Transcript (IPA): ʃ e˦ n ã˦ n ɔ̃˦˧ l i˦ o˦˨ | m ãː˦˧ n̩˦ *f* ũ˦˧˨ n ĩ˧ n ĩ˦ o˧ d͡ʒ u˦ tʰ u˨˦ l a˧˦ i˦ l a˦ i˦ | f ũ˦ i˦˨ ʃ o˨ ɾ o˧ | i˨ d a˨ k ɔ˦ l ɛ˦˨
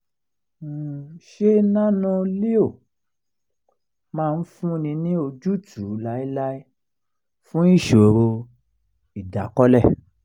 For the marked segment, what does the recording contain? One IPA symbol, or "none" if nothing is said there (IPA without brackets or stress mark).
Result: f